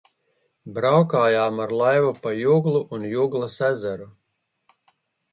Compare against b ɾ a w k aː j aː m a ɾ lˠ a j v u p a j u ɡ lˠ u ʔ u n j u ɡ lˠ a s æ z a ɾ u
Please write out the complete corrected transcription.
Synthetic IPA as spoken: b ɾ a w k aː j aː m a ɾ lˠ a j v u p a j u ɡ lˠ u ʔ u n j u ɡ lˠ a s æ z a ɾ u